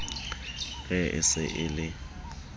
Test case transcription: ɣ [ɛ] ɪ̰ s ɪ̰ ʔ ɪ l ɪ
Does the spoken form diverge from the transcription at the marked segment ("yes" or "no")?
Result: no